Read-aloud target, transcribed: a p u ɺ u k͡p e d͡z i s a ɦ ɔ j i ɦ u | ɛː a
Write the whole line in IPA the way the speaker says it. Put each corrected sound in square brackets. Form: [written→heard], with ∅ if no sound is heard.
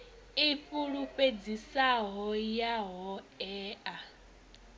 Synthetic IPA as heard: [a→i] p u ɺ u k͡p e d͡z i s a ɦ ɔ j [i→a] ɦ [u→ɔ] | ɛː a

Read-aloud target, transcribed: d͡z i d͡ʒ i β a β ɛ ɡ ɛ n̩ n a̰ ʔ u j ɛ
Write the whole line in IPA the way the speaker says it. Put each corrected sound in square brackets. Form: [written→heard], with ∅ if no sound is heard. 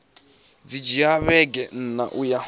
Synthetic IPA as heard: d͡z i d͡ʒ i [β→∅] a β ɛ ɡ ɛ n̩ n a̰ ʔ u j [ɛ→a]

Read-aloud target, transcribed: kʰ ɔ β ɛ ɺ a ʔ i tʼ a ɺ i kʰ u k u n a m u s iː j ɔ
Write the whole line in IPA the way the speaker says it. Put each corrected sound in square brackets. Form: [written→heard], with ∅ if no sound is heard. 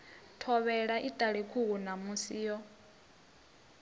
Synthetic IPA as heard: [kʰ→tʰ] ɔ β ɛ ɺ a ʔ i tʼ a ɺ i kʰ u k u n a m u s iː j ɔ

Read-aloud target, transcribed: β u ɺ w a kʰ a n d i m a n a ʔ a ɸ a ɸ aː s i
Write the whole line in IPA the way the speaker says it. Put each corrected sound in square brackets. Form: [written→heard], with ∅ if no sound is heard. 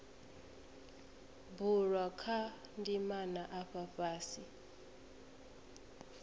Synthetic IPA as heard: [β→b] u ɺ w a kʰ a n d i m a n a ʔ a ɸ a ɸ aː s i

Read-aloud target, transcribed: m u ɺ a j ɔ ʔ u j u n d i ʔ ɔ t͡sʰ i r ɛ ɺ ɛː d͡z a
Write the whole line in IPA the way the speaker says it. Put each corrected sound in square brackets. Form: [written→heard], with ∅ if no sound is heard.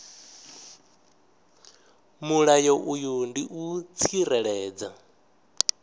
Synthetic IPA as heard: m u ɺ a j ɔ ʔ u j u n d i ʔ [ɔ→u] t͡sʰ i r ɛ ɺ ɛː d͡z a

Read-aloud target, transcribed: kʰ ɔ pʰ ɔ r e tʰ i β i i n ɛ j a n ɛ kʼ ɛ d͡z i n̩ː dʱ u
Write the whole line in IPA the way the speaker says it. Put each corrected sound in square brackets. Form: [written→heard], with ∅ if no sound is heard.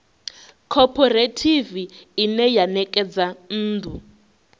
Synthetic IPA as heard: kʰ ɔ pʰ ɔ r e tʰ i [β→v] i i n ɛ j a n ɛ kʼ ɛ d͡z [i→a] n̩ː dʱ u

